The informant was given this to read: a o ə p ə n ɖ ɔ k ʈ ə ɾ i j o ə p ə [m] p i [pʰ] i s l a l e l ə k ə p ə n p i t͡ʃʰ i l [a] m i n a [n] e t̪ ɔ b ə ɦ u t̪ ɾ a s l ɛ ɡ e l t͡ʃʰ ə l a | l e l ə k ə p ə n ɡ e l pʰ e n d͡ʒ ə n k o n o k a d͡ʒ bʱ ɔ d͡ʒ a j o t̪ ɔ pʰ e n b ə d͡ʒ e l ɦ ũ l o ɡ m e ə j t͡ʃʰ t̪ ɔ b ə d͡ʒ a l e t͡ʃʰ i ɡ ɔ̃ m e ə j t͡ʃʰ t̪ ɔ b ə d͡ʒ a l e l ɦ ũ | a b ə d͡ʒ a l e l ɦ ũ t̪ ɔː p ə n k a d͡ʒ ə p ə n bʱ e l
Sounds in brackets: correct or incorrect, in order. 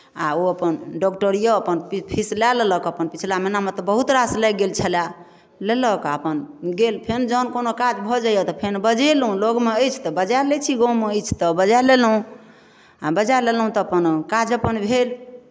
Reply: incorrect, correct, correct, incorrect

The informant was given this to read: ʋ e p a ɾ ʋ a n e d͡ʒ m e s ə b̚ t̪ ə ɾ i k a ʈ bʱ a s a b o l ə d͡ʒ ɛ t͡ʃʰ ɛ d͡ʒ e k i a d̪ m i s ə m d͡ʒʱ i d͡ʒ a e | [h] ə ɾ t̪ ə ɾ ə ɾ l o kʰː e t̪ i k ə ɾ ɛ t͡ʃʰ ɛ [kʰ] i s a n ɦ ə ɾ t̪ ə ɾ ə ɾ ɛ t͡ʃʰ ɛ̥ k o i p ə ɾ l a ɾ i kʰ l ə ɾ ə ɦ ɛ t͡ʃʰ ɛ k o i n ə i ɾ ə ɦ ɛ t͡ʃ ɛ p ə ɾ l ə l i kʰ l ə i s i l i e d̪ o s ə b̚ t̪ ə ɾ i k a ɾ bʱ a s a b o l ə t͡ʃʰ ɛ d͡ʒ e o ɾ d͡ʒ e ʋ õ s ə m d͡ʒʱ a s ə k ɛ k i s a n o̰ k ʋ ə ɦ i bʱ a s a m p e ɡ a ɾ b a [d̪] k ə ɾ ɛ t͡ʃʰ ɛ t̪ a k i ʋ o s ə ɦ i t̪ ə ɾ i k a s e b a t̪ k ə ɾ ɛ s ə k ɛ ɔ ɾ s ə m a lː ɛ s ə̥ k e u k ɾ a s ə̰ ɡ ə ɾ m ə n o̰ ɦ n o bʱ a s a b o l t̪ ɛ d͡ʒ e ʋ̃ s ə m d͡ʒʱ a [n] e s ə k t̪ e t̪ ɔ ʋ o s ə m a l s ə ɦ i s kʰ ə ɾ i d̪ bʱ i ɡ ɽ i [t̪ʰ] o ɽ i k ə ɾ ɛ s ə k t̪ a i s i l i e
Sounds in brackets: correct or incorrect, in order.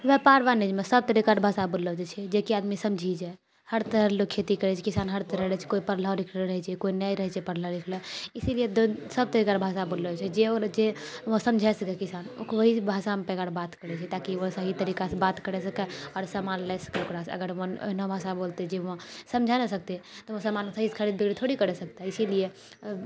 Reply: correct, incorrect, incorrect, correct, correct

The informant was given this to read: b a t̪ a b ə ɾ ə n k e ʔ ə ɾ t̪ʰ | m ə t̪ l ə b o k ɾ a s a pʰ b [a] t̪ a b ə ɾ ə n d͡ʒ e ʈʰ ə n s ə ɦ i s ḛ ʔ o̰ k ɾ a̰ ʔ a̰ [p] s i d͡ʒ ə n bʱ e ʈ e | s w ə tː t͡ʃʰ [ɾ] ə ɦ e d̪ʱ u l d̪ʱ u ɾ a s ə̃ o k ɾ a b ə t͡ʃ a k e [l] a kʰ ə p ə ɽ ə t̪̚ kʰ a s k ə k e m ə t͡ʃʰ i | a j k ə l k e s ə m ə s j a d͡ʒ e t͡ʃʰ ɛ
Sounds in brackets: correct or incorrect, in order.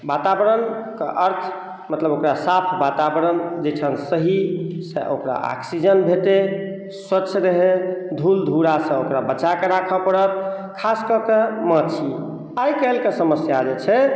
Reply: correct, incorrect, correct, incorrect

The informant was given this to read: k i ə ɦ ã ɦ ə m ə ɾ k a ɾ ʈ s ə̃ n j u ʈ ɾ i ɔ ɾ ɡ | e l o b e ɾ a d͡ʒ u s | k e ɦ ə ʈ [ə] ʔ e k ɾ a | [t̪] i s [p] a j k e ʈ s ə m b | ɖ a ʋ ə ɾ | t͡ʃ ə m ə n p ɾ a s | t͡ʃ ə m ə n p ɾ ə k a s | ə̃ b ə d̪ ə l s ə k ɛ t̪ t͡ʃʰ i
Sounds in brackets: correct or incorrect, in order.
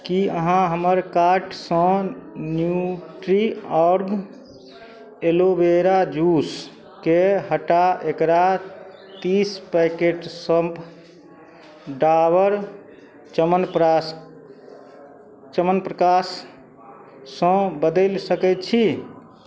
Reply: incorrect, correct, correct

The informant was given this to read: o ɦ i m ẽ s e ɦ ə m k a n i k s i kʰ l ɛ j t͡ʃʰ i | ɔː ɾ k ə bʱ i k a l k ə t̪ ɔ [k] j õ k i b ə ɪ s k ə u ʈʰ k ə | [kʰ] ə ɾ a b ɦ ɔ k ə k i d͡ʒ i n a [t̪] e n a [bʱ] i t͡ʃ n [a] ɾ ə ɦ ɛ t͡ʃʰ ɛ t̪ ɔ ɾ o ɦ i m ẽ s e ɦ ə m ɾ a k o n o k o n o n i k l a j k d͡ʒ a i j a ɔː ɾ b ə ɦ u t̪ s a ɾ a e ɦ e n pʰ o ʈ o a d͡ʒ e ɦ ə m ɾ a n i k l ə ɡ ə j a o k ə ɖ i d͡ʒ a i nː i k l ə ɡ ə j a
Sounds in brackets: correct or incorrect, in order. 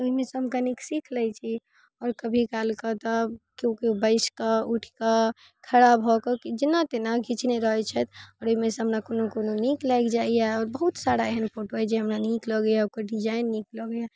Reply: correct, correct, correct, incorrect, incorrect

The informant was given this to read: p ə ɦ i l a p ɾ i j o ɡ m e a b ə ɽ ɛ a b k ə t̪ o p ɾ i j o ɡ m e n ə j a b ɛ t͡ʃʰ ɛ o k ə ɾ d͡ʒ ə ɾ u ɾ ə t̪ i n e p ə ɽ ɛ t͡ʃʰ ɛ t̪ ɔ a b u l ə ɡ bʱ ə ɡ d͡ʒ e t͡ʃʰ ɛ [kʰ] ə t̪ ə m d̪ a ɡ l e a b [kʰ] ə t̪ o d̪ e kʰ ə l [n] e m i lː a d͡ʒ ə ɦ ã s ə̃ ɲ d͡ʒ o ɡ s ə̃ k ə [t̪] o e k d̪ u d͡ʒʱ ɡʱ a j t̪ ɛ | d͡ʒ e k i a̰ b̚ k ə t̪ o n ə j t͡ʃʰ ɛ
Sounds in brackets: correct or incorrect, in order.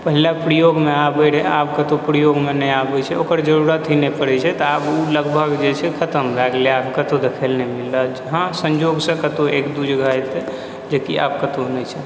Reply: correct, incorrect, correct, correct

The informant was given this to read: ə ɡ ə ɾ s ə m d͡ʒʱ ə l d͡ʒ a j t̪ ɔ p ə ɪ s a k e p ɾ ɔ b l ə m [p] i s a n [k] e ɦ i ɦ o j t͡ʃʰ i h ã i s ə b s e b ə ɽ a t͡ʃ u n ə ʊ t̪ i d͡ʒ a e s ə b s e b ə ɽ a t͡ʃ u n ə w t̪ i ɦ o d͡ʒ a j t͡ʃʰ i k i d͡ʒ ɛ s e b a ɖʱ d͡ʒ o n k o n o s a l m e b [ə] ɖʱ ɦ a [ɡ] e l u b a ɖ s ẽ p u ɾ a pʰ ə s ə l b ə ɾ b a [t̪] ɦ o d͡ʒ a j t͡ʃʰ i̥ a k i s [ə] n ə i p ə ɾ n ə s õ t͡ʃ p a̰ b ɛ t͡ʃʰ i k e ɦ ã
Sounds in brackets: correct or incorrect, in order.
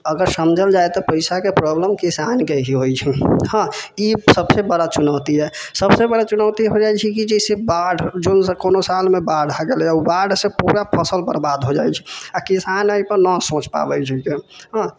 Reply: incorrect, correct, incorrect, correct, incorrect, incorrect

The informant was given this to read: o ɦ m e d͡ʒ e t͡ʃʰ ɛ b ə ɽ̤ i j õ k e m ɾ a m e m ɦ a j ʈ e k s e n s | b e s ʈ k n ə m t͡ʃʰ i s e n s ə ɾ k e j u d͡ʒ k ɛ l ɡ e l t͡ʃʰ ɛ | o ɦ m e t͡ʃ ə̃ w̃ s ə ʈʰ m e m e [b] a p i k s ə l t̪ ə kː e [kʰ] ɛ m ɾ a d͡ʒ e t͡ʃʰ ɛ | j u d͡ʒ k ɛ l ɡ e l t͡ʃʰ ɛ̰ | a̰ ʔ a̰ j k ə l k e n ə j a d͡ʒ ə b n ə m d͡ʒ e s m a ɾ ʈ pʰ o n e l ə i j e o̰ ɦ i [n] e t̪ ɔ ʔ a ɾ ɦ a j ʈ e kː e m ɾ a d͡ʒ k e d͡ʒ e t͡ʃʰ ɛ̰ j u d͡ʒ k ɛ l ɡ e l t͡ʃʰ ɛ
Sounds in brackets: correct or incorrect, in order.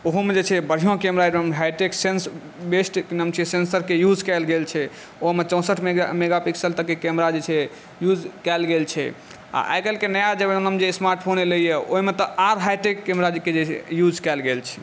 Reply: incorrect, incorrect, incorrect

